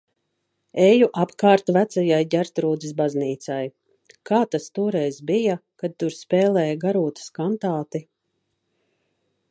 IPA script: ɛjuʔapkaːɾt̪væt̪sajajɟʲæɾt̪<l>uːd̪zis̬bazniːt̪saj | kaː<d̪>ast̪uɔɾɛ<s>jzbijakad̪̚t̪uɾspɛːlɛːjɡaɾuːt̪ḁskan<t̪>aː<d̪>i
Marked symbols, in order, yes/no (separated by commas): no, no, no, yes, no